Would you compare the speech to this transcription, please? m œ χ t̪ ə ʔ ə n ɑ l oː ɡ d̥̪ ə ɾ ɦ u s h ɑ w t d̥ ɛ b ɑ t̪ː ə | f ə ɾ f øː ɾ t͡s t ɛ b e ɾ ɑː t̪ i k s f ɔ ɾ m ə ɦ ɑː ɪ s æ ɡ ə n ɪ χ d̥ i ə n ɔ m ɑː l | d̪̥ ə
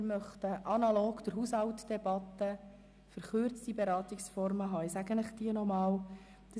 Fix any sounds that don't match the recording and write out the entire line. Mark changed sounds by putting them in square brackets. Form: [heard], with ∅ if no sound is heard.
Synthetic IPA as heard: m œ χ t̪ ə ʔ [ɑ] n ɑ l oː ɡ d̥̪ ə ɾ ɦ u s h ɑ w t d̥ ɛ b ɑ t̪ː ə | f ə ɾ [χ] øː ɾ t͡s t [i] b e ɾ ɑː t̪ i k s f ɔ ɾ m ə ɦ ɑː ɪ s æ ɡ ə n ɪ χ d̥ i ə n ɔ m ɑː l | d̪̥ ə